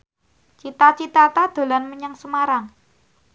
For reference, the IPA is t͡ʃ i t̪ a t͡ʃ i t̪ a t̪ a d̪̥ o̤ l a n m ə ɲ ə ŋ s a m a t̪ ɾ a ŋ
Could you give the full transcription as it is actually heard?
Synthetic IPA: t͡ʃ i t̪ a t͡ʃ i t̪ a t̪ a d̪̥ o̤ l a n m ə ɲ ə ŋ s ə m a ɾ a ŋ